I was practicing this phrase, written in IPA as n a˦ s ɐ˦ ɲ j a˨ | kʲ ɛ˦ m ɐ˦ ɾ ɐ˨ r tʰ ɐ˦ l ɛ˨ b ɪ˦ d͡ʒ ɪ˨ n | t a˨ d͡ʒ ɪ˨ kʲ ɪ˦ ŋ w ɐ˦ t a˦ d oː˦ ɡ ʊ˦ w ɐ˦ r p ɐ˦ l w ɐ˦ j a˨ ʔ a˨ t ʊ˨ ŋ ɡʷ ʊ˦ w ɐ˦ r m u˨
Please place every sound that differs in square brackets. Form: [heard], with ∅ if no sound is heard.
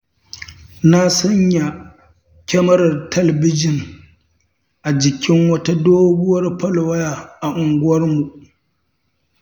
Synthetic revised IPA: n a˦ s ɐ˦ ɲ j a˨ | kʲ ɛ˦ m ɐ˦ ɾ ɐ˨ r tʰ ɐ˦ l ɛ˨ b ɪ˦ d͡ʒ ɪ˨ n | [ʔ] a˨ d͡ʒ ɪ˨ kʲ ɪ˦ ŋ w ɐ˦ t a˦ d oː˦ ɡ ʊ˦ w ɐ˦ r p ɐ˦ l w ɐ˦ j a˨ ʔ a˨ [ʔ] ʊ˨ ŋ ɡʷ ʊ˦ w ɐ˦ r m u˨